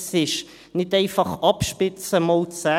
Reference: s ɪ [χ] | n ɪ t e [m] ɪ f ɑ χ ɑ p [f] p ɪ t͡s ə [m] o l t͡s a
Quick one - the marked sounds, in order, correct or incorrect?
incorrect: ʃ, incorrect: none, incorrect: ʃ, correct

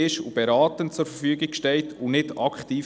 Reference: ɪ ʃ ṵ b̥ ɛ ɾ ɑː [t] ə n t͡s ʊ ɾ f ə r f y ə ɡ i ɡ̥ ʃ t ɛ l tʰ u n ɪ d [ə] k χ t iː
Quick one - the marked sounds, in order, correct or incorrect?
correct, incorrect: ɑ

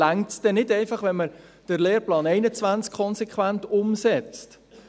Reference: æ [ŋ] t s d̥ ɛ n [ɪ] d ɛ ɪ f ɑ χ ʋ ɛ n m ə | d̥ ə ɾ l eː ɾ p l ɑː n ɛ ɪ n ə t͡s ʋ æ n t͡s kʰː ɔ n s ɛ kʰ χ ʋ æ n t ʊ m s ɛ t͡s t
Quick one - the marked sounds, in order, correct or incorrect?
correct, correct

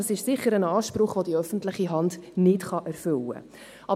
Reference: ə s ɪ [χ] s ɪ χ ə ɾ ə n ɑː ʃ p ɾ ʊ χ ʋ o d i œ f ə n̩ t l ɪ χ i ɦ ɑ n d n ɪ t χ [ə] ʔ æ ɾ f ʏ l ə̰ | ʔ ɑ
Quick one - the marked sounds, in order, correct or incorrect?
incorrect: ʃ, incorrect: ɑ

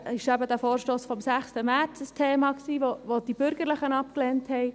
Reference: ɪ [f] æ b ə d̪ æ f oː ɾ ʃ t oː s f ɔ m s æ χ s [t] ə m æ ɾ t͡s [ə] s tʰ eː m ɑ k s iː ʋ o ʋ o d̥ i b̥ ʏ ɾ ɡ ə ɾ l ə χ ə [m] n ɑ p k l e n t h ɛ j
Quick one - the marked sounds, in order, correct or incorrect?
incorrect: ʃ, correct, correct, incorrect: none

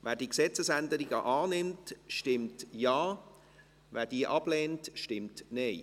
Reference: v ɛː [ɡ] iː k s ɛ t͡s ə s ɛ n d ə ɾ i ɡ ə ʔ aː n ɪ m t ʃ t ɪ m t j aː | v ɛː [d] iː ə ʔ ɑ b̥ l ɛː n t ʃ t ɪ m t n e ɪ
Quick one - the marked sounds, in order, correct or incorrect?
incorrect: d, correct

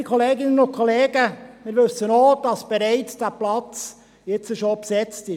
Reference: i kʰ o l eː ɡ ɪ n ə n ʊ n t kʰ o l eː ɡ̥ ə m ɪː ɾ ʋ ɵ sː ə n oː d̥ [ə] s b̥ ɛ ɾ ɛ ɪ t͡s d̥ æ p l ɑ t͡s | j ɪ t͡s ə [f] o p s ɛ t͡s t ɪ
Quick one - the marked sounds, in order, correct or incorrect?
incorrect: ɑ, incorrect: ʃ

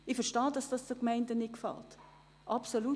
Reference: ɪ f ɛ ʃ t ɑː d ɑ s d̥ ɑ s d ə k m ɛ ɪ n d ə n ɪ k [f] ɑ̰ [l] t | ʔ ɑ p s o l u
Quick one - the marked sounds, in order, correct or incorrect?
correct, correct

